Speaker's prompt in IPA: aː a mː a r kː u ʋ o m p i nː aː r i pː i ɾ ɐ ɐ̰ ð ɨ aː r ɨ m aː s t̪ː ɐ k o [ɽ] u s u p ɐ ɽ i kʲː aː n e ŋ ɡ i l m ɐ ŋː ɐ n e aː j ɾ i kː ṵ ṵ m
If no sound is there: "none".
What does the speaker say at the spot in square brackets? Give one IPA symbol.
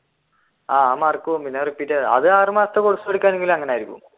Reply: ɽ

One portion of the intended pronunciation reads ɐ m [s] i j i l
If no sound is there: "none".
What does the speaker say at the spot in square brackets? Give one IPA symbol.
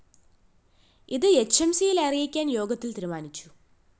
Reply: s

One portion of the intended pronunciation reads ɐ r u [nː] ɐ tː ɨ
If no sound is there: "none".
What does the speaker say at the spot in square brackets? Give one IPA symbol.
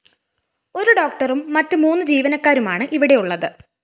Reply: mː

